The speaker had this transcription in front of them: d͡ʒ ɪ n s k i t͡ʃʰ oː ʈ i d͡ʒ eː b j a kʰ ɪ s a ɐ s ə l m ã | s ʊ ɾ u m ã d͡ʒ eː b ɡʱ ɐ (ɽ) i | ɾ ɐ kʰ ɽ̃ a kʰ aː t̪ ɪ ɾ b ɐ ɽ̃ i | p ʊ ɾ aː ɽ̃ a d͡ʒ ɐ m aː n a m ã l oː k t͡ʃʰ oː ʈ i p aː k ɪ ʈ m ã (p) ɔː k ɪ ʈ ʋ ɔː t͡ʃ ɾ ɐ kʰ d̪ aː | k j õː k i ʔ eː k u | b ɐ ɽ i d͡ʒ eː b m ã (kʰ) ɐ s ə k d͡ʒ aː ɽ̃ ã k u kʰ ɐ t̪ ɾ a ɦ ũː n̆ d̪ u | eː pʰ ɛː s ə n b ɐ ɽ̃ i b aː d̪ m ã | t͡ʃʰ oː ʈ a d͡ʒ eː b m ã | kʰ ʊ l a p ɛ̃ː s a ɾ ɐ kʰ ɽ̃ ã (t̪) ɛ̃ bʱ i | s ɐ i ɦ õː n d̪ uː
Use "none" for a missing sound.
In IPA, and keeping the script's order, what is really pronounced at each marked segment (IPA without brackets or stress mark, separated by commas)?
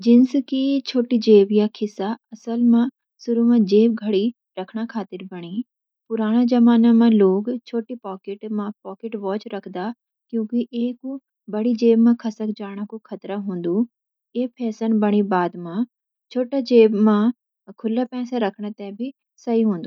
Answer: ɽ, p, kʰ, t̪